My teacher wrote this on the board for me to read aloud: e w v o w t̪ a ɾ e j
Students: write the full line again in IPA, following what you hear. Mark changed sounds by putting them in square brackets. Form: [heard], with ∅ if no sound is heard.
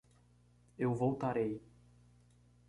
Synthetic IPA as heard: e w v o w t̪ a ɾ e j